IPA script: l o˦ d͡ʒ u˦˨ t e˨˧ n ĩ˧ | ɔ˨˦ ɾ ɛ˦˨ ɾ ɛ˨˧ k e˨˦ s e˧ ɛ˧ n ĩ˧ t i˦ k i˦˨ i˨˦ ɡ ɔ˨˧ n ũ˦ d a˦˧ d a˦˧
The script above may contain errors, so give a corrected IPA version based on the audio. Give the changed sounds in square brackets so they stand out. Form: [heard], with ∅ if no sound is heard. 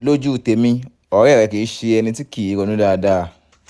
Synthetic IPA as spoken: l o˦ d͡ʒ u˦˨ t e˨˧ [m] ĩ˧ | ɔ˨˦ ɾ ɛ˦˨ ɾ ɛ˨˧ k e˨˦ [ʃ] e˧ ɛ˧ n ĩ˧ t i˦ k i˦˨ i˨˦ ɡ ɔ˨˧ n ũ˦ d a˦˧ d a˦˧